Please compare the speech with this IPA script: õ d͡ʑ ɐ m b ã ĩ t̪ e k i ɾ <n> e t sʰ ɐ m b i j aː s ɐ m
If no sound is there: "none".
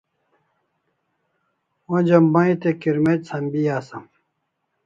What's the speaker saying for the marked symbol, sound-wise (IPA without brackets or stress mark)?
m